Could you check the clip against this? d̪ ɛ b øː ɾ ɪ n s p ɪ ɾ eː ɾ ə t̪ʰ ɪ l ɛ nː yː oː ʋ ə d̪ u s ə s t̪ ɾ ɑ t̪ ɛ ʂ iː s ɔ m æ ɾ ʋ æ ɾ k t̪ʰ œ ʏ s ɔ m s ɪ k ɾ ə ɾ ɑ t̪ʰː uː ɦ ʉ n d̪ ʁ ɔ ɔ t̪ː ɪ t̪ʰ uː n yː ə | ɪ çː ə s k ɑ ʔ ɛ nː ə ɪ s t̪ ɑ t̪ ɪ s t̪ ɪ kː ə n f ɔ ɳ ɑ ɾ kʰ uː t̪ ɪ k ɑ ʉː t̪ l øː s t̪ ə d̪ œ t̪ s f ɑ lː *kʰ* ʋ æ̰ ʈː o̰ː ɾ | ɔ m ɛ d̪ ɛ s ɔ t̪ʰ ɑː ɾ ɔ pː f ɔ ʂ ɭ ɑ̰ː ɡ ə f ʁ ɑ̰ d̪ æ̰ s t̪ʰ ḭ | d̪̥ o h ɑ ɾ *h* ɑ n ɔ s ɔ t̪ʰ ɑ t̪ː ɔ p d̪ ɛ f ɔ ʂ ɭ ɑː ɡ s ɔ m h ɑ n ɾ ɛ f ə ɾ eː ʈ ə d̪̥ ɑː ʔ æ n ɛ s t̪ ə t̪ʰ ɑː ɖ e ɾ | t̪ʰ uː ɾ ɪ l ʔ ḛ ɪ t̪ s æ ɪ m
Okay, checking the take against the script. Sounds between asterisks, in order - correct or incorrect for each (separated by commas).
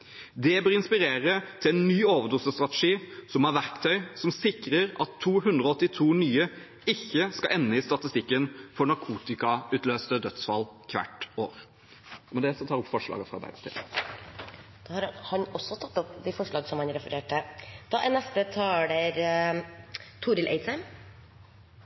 correct, correct